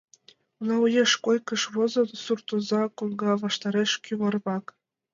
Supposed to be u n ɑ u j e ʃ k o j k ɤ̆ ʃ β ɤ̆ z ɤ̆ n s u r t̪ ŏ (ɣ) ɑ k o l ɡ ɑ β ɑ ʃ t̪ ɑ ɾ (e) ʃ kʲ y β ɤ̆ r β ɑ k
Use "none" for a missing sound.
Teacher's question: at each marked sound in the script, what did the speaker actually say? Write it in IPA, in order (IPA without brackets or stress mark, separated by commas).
z, e